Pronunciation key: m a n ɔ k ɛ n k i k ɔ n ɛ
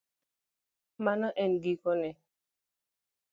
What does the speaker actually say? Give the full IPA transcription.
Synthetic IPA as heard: m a n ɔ ʔ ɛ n ɡ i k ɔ n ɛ